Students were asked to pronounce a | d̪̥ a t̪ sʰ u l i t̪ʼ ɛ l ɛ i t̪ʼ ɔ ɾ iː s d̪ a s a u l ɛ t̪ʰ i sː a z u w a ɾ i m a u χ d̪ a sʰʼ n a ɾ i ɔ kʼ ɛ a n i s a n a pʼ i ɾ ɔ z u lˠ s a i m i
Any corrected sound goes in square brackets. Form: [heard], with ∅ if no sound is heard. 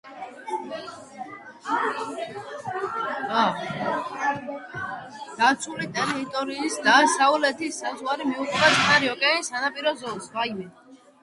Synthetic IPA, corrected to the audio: a | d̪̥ a t̪ sʰ u l i t̪ʼ ɛ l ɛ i t̪ʼ ɔ ɾ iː s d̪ a s a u l ɛ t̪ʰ i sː a z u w a ɾ i m [i] u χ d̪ a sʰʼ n a ɾ i ɔ kʼ ɛ a n i s a n a pʼ i ɾ ɔ z [ɔ] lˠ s a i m [ɛ]